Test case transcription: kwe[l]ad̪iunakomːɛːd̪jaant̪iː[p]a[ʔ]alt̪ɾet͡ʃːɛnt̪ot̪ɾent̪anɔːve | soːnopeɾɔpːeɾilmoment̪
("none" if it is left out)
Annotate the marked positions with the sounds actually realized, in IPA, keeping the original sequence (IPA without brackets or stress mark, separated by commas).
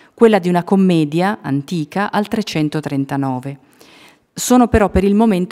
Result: lː, k, ʔ